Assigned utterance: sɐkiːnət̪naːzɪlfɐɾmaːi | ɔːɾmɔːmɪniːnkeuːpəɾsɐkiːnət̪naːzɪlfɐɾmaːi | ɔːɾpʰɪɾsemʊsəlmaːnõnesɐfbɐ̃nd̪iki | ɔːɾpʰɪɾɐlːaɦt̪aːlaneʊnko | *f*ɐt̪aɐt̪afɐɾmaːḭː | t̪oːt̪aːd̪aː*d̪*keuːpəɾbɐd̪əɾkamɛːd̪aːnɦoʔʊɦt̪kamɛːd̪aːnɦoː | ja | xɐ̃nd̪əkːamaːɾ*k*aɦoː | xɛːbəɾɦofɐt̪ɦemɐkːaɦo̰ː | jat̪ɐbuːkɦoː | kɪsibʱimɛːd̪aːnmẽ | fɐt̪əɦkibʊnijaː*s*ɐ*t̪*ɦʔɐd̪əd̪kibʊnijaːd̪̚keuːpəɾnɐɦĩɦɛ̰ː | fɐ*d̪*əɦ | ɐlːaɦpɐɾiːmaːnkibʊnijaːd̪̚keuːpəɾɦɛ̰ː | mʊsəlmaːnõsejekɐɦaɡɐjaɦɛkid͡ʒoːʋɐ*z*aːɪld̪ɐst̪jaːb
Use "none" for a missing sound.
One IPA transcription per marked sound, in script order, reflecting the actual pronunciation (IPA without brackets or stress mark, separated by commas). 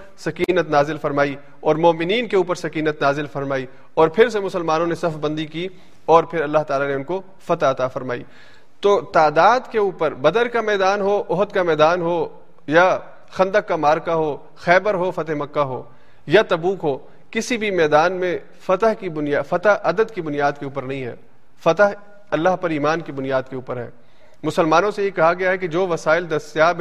f, d̪, k, f, t̪, t̪, s